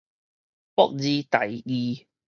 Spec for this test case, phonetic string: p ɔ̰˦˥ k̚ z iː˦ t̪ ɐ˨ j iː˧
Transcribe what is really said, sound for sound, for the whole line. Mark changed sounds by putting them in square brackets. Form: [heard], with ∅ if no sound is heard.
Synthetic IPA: p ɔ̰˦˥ k̚ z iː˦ t̪ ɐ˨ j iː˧

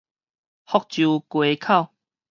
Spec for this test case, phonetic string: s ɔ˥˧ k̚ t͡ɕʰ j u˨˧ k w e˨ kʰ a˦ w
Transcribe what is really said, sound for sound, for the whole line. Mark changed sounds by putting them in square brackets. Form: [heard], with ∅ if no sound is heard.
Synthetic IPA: [h] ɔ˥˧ k̚ [t͡ɕ] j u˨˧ k w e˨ kʰ [a˥˨] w

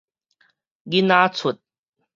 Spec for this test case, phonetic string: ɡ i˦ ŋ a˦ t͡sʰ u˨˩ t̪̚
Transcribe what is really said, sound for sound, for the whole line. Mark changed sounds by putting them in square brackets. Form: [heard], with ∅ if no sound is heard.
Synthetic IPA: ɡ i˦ [n] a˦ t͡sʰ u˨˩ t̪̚

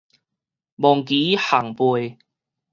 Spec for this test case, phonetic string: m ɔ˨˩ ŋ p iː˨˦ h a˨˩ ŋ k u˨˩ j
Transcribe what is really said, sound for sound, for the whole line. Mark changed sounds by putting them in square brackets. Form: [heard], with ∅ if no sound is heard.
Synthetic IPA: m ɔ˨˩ ŋ [k] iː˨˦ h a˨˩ ŋ [p] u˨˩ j

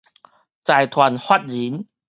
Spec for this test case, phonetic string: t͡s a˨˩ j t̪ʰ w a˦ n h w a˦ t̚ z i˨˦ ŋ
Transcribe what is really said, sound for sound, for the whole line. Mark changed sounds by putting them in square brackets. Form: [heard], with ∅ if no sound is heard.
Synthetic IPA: t͡s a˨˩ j t̪ʰ w [a˨˩] n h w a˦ t̚ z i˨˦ [n]

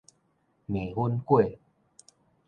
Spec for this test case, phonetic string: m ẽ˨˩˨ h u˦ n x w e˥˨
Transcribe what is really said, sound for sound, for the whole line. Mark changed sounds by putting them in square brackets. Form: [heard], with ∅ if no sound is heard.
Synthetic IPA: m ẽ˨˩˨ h u˦ n [k] w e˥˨

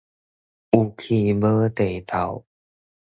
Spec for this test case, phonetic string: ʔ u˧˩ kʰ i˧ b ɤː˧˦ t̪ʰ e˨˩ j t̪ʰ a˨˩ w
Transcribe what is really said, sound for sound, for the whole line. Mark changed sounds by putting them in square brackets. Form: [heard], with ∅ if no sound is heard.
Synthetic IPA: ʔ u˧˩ kʰ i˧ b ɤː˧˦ [t̪] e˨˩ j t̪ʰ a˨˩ w

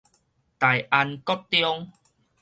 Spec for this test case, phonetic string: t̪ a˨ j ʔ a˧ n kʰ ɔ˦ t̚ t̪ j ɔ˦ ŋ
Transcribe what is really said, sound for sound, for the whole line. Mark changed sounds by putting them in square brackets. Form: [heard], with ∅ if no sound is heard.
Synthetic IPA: t̪ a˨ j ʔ a˧ n [k] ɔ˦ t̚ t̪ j ɔ˦ ŋ

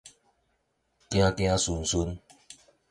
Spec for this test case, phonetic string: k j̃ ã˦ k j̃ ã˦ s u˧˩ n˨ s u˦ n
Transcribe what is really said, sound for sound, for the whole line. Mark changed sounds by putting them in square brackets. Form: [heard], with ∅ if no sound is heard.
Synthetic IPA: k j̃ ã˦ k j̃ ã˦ s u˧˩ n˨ s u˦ n

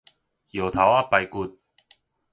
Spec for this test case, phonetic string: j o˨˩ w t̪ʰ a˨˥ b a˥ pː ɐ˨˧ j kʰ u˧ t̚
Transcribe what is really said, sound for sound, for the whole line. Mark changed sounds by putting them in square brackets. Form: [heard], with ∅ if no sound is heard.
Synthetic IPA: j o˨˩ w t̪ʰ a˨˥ [w] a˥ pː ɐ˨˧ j [k] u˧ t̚

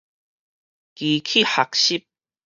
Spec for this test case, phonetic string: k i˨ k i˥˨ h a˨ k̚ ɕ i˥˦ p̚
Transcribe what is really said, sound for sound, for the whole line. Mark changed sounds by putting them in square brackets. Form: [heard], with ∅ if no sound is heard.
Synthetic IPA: k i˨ [kʰ] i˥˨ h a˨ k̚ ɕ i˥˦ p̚

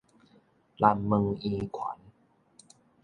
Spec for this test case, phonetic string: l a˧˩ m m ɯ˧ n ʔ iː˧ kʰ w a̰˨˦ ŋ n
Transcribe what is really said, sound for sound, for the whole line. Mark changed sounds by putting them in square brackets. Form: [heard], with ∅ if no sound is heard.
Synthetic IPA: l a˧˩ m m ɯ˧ [ŋ] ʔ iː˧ kʰ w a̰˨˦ [∅] n

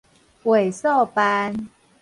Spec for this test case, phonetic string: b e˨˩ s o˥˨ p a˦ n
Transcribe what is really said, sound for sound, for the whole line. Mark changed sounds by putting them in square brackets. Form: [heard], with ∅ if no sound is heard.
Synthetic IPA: [w] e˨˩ s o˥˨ p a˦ n

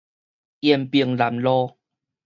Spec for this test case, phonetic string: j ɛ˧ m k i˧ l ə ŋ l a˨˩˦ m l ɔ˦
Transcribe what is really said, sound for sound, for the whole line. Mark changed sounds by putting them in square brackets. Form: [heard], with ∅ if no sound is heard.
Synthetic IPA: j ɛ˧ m [p] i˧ [∅] ə ŋ l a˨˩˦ m l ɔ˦

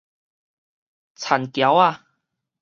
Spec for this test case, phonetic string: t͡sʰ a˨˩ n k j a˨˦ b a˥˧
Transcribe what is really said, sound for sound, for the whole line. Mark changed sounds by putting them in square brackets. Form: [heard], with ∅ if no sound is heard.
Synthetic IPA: t͡sʰ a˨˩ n k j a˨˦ [w] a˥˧

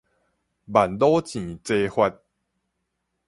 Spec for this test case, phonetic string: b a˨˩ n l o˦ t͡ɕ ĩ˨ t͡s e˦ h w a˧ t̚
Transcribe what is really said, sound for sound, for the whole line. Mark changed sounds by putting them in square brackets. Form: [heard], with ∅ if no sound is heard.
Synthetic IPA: b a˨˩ n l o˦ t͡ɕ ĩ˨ t͡s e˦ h w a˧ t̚

